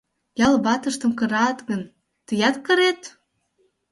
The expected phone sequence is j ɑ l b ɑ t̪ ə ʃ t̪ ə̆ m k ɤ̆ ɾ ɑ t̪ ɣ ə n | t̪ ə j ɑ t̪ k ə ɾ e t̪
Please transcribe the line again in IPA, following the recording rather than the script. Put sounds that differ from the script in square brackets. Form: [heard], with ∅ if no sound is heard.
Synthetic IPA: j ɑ l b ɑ t̪ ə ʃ t̪ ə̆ m k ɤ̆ ɾ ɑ t̪ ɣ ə n | t̪ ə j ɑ t̪ k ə ɾ e t̪